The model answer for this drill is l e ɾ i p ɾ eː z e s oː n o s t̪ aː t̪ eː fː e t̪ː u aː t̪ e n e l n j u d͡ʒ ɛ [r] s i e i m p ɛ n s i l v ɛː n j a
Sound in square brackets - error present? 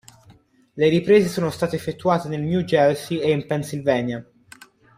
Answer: yes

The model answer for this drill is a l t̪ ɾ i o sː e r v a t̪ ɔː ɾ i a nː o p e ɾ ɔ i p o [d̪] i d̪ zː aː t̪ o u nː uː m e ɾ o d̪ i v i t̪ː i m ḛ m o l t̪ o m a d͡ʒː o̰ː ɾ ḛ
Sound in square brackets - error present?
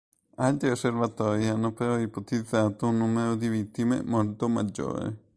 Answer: yes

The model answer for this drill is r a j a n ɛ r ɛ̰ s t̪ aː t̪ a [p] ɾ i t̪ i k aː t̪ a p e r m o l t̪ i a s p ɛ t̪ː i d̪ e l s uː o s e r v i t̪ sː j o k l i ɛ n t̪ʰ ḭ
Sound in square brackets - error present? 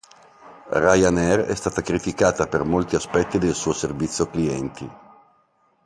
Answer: yes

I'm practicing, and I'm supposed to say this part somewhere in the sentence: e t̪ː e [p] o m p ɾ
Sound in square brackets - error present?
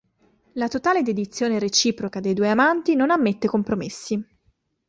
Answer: yes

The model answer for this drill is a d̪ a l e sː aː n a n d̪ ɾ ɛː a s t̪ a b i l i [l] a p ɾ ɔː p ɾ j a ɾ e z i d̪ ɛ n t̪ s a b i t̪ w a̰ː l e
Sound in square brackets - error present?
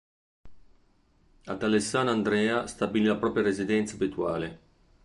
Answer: no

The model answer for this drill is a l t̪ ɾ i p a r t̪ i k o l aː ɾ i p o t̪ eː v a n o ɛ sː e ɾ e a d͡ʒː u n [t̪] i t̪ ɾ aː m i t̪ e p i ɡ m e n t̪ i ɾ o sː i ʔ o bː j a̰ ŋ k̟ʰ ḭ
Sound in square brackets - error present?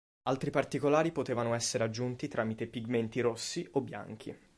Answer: no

